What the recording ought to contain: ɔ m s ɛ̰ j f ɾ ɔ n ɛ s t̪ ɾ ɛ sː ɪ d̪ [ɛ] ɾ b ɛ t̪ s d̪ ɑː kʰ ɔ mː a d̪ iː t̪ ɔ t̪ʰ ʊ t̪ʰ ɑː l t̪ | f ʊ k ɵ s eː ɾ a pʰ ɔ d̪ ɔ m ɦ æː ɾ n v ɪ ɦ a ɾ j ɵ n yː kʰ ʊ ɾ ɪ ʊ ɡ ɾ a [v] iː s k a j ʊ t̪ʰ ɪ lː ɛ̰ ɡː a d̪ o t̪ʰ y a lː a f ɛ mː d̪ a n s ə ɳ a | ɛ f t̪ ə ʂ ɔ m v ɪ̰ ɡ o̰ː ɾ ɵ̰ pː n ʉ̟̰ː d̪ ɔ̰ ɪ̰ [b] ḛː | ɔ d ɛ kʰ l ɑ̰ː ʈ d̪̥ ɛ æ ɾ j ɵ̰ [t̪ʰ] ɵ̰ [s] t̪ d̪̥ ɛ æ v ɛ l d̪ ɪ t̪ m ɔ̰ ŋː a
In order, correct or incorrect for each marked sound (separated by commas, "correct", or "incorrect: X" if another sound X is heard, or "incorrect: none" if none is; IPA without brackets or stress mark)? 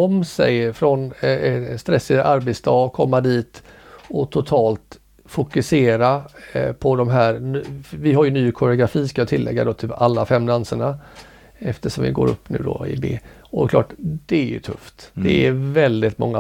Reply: incorrect: a, incorrect: f, correct, correct, incorrect: f